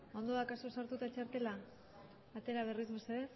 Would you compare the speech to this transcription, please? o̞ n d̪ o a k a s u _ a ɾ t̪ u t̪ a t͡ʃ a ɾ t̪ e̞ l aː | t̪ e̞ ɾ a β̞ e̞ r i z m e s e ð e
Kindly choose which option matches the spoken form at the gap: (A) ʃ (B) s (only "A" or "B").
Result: B